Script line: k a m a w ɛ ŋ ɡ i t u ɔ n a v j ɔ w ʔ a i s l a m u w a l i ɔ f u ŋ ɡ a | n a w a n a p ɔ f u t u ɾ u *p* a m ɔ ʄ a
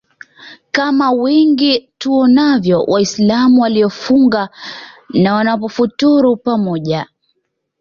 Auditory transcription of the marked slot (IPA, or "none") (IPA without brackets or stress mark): p